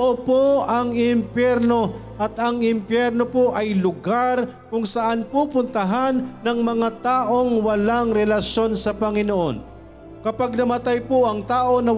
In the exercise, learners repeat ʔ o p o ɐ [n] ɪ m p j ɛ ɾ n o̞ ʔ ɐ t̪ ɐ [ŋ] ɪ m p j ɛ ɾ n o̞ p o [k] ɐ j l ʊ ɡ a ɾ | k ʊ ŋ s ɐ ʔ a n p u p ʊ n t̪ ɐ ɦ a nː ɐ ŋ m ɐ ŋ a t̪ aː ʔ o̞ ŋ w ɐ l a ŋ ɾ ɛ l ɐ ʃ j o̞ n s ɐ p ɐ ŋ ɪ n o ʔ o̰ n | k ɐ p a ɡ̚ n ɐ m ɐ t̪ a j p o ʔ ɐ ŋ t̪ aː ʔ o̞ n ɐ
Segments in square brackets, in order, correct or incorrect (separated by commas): incorrect, correct, incorrect